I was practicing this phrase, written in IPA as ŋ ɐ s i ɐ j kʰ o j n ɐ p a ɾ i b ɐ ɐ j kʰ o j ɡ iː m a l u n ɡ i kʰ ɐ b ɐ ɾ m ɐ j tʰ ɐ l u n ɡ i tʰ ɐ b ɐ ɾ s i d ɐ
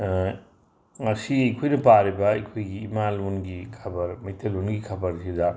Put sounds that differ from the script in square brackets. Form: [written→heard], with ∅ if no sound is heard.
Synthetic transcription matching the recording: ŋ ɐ s i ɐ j kʰ o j n ɐ p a ɾ i b ɐ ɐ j kʰ o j ɡ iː m a l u n ɡ i kʰ ɐ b ɐ ɾ m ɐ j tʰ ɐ l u n ɡ i [tʰ→kʰ] ɐ b ɐ ɾ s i d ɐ